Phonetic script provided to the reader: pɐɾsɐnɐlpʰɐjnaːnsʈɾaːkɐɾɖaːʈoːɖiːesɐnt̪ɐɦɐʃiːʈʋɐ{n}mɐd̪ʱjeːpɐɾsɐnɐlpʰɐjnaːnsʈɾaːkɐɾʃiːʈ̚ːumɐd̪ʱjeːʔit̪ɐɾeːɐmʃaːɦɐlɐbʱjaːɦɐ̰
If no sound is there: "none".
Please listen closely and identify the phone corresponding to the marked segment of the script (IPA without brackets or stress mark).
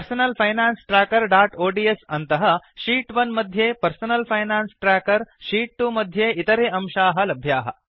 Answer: n